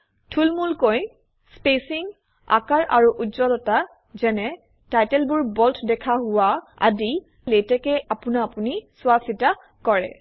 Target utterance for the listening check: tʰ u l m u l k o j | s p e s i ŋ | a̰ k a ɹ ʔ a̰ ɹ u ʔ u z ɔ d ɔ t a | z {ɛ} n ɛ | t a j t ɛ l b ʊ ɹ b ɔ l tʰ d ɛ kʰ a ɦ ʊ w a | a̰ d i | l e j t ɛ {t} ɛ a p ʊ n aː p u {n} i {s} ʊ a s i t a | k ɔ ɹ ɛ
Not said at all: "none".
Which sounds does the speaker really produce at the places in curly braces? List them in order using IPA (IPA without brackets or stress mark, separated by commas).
ɛ, k, n, s